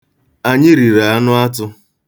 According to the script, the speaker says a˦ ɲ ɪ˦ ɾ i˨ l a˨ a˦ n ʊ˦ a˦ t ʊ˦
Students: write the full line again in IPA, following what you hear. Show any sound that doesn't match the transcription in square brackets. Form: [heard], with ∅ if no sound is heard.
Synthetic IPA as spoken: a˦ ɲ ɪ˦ ɾ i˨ [ɾ] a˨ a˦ n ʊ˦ a˦ t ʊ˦